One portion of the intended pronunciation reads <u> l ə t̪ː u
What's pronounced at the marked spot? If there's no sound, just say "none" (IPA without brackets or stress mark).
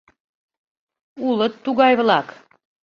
u